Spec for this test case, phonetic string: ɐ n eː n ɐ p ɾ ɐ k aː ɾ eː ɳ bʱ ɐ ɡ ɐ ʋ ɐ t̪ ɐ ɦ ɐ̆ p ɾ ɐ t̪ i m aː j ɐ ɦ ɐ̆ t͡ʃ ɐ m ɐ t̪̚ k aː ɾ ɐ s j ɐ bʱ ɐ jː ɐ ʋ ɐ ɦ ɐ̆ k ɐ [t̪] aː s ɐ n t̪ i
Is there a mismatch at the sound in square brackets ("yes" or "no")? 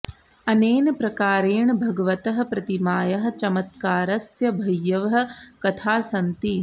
yes